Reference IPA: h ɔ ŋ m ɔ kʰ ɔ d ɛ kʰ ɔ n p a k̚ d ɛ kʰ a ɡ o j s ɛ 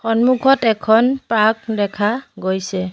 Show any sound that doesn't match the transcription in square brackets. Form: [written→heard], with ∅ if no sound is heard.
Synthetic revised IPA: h ɔ [ŋ→n] m [ɔ→u] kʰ ɔ [d→t] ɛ kʰ ɔ n p a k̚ d ɛ kʰ a ɡ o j s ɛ